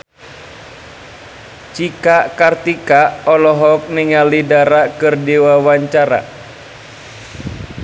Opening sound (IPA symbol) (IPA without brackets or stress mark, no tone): t͡ʃ